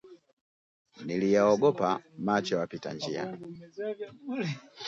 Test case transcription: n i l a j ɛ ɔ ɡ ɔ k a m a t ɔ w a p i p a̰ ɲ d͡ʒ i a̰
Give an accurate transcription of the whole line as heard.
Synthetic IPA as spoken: n i l i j a ɔ ɡ ɔ p a m a t͡ʃ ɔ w a p i t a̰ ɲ d͡ʒ i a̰